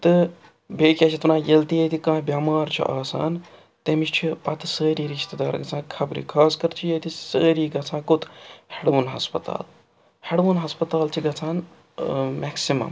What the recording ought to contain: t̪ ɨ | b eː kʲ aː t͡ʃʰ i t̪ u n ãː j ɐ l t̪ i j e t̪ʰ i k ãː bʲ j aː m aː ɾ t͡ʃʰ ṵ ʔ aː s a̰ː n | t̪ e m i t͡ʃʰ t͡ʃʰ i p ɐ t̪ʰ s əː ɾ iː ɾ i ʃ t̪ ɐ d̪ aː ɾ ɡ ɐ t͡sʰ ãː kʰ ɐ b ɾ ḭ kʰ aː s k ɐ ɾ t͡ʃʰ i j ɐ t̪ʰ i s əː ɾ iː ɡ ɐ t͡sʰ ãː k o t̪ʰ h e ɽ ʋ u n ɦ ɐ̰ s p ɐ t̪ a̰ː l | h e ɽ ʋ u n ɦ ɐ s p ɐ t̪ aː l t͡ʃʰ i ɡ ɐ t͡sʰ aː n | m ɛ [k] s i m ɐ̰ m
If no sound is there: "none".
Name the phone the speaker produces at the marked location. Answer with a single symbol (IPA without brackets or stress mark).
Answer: k